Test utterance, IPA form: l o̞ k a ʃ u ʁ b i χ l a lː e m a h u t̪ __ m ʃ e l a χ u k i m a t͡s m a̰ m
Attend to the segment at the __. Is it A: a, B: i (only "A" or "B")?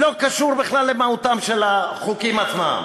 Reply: A